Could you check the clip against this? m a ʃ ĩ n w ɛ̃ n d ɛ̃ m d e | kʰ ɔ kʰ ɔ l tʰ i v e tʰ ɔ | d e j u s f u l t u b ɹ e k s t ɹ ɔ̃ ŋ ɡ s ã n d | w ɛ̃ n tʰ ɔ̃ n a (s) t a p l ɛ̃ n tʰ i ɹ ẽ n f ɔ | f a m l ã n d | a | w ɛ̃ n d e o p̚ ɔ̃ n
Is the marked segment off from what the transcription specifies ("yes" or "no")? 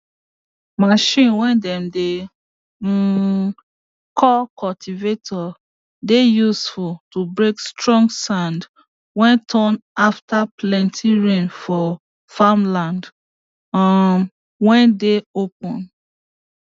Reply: yes